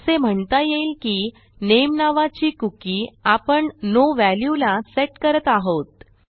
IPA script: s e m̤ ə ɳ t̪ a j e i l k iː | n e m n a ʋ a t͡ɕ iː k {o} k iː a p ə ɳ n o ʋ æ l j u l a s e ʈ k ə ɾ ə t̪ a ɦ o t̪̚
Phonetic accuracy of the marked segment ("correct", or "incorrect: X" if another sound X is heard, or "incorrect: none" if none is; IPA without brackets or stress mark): incorrect: u